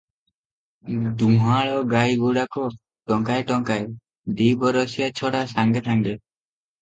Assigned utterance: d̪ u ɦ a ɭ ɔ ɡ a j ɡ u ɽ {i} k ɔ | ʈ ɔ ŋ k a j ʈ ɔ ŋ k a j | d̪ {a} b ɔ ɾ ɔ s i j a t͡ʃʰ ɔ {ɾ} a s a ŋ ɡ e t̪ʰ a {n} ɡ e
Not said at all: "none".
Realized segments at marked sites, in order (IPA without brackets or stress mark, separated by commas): a, i, ɽ, ŋ